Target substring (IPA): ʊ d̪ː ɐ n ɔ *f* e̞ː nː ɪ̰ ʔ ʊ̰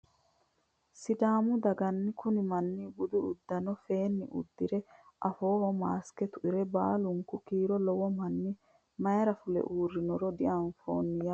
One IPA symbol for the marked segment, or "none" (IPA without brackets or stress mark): f